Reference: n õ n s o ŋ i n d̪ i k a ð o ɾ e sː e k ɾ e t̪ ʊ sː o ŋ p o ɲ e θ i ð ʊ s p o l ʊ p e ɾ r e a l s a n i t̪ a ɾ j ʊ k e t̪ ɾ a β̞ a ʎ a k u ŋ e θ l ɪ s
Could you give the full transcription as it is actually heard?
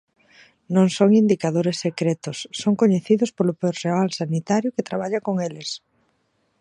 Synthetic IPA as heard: n õ ŋ s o ŋ i n d̪ i k a ð o ɾ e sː e k ɾ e t̪ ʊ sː o ŋ k o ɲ e θ i ð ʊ s p o l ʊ p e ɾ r e a l s a n i t̪ a ɾ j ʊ k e t̪ ɾ a β̞ a ʎ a k o ŋ e l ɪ s